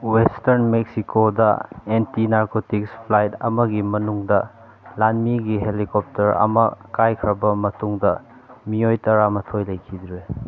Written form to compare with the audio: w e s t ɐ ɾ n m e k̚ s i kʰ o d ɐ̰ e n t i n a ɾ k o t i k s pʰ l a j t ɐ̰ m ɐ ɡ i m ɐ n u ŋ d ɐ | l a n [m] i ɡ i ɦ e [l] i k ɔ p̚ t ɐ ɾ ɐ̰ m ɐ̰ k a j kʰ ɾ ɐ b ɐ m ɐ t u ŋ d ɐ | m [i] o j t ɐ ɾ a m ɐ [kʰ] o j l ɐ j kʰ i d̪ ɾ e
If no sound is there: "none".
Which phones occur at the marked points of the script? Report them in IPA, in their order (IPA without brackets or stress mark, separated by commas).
m, l, i, tʰ